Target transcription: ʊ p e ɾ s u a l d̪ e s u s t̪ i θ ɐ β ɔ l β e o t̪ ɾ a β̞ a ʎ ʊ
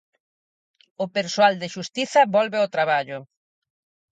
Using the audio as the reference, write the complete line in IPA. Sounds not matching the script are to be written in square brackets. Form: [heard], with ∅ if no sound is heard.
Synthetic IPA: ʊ p e ɾ s [o] a l d̪ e [ʃ] u s t̪ i θ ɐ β ɔ l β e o t̪ ɾ a β̞ a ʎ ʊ